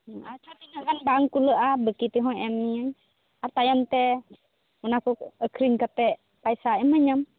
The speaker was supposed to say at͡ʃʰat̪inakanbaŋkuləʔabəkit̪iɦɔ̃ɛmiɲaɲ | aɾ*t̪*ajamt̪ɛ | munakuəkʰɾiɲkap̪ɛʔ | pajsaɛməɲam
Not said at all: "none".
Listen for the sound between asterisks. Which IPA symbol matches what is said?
t̪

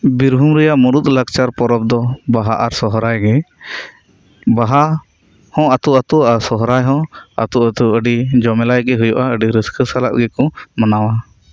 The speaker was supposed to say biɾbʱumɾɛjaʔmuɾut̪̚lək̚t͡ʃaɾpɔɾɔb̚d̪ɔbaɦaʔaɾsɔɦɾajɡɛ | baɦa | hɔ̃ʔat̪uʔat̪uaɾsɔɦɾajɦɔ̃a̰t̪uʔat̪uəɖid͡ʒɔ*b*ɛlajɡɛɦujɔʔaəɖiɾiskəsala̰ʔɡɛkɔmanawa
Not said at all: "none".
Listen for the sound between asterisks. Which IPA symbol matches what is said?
m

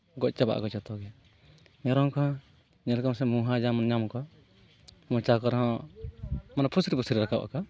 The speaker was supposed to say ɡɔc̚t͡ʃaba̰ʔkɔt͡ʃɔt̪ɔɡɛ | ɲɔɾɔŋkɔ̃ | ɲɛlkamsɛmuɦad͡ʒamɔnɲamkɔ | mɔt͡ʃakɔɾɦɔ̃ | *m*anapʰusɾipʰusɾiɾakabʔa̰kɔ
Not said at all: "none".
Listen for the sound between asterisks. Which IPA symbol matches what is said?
m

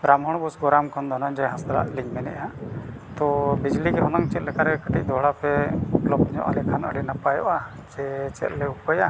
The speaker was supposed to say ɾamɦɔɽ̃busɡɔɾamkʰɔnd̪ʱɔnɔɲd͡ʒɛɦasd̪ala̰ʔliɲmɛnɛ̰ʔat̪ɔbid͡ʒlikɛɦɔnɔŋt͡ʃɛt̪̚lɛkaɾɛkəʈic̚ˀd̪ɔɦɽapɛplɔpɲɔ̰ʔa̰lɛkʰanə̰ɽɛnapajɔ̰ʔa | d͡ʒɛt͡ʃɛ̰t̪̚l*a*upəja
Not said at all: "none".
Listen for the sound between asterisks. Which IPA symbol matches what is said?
ɛ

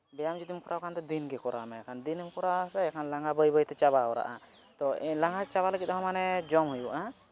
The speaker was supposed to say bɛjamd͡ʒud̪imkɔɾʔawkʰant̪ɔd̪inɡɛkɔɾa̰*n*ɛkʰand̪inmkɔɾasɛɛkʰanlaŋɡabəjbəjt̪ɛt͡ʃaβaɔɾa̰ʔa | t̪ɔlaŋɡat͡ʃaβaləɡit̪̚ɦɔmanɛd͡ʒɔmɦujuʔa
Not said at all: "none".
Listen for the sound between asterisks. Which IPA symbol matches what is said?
m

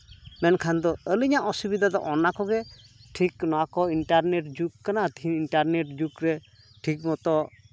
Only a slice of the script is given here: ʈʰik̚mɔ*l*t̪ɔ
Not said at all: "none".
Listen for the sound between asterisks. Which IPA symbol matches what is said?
none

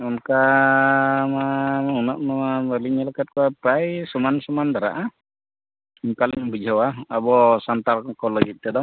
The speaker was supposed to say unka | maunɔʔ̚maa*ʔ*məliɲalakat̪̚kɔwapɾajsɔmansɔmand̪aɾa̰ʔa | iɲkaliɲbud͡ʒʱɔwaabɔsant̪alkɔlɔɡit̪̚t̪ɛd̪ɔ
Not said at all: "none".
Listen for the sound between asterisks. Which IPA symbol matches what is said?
none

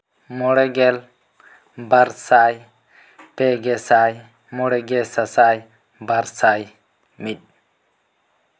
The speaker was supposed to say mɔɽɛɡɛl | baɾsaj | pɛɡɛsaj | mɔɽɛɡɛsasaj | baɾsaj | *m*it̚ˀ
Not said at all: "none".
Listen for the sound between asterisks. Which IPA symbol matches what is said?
m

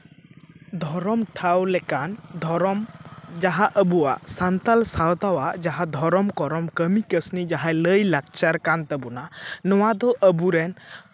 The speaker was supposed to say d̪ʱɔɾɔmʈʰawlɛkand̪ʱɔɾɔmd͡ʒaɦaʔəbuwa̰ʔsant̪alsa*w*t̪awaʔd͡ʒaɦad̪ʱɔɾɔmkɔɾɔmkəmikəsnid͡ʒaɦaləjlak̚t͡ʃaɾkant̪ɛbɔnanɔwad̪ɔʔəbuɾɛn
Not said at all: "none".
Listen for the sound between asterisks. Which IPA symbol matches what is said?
w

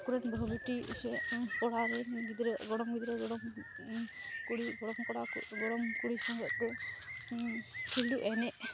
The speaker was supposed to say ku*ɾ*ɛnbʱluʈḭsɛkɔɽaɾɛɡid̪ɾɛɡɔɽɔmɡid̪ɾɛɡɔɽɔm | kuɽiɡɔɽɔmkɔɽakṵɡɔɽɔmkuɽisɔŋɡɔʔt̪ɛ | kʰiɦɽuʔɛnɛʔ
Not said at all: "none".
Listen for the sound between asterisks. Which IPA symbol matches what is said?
ɾ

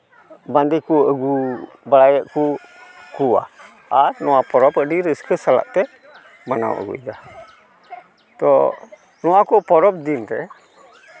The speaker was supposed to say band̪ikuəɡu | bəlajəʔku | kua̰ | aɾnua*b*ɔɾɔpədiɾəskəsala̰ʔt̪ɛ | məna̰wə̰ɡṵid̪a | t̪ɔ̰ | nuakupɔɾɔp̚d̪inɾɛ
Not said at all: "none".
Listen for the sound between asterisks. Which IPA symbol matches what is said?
p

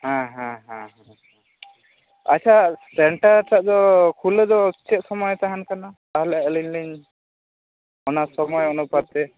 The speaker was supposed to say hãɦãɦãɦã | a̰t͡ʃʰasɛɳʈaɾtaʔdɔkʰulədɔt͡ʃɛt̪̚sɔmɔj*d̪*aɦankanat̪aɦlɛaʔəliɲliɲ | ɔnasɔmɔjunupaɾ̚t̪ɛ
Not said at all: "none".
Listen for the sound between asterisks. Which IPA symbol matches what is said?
t̪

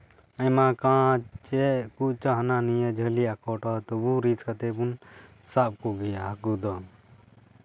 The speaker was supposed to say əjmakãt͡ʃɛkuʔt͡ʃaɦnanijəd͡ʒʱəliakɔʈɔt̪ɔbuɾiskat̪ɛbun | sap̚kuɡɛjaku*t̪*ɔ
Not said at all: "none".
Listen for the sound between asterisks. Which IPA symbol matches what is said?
d̪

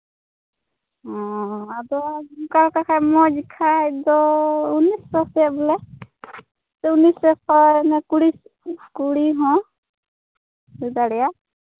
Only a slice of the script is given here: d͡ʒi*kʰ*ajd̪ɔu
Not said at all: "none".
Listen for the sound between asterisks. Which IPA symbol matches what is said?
kʰ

